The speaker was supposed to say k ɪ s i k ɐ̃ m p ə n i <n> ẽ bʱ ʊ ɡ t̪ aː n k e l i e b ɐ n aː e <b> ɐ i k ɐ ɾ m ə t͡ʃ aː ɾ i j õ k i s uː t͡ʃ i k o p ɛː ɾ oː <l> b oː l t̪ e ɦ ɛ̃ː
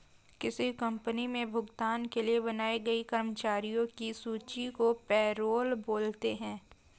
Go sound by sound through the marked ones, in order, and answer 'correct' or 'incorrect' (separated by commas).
incorrect, incorrect, correct